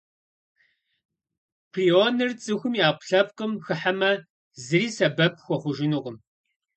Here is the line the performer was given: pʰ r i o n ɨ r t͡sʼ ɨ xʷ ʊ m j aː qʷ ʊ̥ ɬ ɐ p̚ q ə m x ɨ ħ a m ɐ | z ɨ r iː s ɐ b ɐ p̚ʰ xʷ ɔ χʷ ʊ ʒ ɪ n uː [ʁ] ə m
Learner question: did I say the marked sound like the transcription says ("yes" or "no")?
yes